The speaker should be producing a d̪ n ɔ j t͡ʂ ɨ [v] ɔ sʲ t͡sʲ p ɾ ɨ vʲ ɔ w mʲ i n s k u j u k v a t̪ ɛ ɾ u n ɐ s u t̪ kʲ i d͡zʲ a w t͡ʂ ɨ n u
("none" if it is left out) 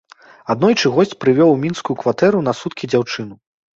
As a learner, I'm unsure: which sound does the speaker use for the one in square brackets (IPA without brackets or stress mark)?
ɣ